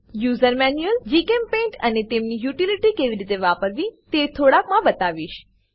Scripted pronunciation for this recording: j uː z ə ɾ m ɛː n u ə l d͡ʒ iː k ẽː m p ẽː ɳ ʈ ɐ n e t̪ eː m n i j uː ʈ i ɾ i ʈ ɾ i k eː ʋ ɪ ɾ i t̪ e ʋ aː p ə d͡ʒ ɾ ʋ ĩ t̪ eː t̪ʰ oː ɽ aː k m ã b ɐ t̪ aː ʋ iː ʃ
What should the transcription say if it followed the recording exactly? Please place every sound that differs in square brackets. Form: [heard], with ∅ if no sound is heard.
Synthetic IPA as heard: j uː z ə ɾ m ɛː n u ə l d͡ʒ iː k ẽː m p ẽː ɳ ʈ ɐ n e t̪ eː m n i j uː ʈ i [l] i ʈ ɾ i k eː ʋ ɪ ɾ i t̪ e ʋ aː p ə [∅] ɾ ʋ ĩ t̪ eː t̪ʰ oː ɽ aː k m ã b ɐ t̪ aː ʋ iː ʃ